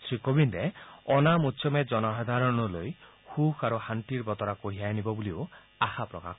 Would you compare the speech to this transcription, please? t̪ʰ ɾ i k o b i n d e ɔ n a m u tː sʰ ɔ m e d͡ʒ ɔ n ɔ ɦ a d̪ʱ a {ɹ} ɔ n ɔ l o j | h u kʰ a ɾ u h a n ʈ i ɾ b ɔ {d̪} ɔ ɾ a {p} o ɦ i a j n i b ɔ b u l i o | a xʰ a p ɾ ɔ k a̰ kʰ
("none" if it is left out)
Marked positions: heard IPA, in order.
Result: ɾ, t̪, k

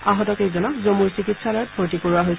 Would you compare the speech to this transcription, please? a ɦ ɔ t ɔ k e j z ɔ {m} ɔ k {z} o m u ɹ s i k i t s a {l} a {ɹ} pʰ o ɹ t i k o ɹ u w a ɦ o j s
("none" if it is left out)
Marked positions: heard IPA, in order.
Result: n, z, l, ɹ

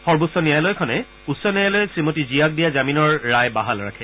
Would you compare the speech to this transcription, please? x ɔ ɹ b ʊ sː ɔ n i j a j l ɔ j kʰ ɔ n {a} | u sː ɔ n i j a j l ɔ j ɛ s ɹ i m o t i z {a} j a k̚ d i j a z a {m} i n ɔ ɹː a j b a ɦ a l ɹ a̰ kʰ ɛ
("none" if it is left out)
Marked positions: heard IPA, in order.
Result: ɛ, i, m

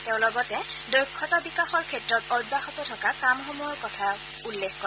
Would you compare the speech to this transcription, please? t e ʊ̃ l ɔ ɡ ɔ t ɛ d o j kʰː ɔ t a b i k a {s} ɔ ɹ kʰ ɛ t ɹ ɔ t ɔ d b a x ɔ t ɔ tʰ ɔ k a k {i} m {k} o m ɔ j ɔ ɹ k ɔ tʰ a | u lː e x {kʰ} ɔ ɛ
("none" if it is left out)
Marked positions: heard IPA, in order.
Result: x, a, x, k

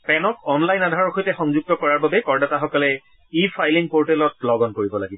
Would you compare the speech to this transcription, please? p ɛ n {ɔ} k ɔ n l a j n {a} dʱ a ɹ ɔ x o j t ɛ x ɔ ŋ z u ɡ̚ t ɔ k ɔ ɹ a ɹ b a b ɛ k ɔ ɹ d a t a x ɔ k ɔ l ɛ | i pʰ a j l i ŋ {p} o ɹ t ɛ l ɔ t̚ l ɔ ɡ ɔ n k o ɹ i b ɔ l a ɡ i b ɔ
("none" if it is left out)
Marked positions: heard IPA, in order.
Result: ɔ, a, p

